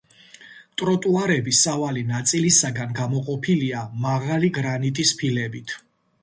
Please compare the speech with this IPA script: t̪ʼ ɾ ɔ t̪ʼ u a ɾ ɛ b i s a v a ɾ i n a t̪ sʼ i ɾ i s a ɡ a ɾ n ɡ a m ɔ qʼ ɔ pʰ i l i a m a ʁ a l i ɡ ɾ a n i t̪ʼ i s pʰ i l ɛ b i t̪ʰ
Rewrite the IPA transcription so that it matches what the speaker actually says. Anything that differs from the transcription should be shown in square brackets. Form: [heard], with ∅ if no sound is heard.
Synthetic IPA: t̪ʼ ɾ ɔ t̪ʼ u a ɾ ɛ b i s a v a [l] i n a t̪ sʼ i [l] i s a ɡ a [∅] n ɡ a m ɔ qʼ ɔ pʰ i l i a m a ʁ a l i ɡ ɾ a n i t̪ʼ i s pʰ i l ɛ b i t̪ʰ